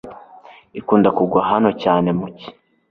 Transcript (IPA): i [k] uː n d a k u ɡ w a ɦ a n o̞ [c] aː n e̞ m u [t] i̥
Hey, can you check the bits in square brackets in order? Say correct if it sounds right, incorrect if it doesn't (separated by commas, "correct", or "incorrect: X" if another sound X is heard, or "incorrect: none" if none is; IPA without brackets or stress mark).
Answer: correct, correct, incorrect: c